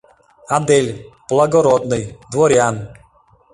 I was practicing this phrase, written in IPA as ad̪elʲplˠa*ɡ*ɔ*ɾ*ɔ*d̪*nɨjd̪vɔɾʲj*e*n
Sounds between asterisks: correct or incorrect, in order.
correct, correct, correct, incorrect: a

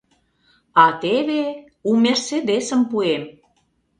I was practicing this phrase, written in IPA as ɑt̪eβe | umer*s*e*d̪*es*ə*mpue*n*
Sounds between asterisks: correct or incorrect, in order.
correct, correct, correct, incorrect: m

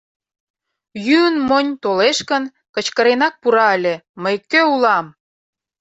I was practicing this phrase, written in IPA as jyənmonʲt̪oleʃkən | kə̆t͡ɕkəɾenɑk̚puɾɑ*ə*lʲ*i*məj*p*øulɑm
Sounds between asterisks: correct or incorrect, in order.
correct, incorrect: e, incorrect: k

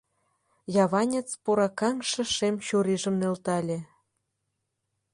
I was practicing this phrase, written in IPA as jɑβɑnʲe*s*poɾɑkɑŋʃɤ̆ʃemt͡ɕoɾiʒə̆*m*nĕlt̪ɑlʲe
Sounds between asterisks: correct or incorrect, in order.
incorrect: t͡s, correct

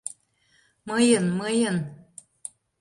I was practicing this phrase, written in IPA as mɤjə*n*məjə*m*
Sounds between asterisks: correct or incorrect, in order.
correct, incorrect: n

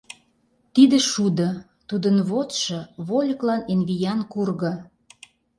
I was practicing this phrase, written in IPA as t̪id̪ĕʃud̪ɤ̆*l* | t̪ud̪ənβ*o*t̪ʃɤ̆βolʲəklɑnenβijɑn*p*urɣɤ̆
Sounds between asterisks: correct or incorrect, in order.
incorrect: none, correct, incorrect: k

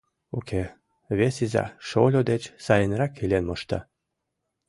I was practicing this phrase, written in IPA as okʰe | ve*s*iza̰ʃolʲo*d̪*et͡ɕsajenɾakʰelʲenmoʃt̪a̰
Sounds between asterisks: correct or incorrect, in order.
correct, correct

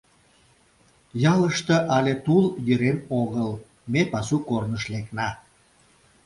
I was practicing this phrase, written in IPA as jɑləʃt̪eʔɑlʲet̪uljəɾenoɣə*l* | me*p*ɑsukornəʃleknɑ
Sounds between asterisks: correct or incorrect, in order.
correct, correct

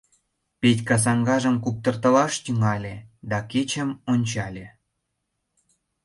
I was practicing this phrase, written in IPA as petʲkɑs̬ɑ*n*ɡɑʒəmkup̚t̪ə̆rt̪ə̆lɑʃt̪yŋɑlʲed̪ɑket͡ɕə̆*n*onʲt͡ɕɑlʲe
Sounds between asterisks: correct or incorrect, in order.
incorrect: ŋ, incorrect: m

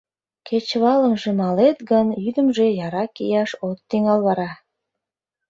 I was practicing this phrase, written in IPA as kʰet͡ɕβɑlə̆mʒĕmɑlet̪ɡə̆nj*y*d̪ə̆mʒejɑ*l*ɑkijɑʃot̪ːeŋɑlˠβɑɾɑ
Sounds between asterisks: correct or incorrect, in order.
correct, incorrect: ɾ

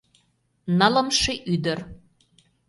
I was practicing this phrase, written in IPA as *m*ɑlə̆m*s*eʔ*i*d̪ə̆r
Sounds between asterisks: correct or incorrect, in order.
incorrect: n, incorrect: ʃ, incorrect: y

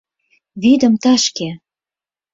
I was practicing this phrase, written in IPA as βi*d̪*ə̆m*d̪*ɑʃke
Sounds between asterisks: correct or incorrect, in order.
correct, incorrect: t̪

